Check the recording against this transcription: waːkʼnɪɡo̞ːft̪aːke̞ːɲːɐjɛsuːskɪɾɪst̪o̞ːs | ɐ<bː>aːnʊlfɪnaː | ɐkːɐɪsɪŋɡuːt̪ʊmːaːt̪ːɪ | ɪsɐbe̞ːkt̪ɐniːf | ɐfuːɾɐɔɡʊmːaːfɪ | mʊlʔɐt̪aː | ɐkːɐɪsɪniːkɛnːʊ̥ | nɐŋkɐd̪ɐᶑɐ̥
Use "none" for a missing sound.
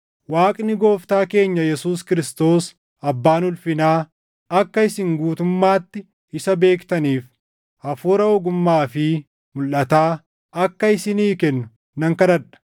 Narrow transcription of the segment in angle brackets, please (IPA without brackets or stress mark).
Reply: bː